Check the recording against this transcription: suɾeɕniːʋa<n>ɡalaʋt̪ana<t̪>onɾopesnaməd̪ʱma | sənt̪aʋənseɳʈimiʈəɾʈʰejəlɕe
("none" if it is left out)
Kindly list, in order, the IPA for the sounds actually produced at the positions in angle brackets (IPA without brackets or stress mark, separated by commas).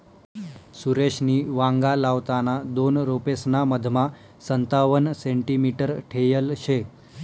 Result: ŋ, d̪